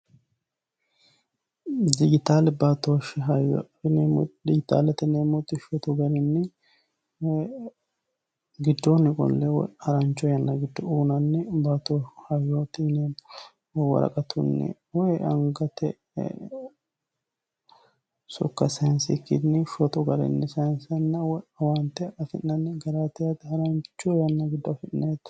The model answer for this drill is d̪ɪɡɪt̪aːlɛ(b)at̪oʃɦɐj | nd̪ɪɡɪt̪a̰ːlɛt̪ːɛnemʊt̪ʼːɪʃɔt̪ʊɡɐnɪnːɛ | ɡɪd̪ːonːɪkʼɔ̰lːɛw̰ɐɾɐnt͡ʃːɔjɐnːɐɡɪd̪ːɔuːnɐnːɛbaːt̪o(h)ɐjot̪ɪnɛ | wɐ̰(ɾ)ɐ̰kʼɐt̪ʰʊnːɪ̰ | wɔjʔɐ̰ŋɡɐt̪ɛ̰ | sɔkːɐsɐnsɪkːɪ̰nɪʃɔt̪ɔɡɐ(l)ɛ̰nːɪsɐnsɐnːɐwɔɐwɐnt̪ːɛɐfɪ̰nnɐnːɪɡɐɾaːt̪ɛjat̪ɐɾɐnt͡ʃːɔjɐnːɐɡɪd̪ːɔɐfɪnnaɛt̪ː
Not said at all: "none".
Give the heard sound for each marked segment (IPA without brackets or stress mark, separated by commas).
b, h, ɾ, ɾ